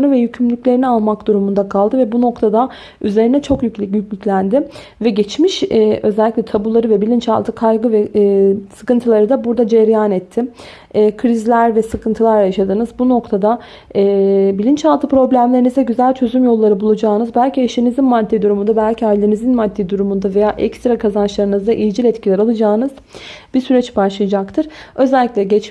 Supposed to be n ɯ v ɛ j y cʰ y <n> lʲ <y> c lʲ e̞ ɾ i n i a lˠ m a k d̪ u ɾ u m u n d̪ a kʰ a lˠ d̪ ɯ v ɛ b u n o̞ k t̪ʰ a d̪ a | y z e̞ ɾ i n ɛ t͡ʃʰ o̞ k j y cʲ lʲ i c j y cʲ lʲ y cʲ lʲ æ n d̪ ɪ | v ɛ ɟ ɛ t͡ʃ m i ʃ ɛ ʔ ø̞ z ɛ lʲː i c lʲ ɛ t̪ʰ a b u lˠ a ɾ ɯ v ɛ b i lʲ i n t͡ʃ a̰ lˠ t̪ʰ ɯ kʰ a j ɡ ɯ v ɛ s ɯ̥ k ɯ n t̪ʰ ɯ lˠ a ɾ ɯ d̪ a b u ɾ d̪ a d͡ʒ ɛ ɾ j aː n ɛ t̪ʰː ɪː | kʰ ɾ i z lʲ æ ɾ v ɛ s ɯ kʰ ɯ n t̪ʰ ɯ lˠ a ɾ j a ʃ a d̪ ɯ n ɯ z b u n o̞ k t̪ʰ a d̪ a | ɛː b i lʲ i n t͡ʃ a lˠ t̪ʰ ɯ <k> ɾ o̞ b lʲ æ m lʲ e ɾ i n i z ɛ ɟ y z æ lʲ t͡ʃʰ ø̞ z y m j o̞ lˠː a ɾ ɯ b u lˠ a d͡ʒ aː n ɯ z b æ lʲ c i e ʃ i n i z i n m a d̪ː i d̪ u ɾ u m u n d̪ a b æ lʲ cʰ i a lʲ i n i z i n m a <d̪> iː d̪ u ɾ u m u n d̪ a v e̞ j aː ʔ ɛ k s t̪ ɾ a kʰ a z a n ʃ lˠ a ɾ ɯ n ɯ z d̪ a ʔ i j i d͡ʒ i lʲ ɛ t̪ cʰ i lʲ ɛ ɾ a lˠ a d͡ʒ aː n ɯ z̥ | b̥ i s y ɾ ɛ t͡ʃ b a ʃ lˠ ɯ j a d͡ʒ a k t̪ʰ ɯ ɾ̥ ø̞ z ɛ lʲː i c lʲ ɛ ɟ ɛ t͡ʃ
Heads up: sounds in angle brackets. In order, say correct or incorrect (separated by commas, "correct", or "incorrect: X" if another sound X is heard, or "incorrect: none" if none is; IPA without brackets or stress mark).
incorrect: m, correct, incorrect: p, incorrect: d̪ː